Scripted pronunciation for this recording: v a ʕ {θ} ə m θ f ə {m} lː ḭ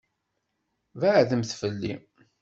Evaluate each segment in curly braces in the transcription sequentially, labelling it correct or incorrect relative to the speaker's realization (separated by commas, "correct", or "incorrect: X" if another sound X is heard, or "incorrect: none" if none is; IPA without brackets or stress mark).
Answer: incorrect: ð, incorrect: none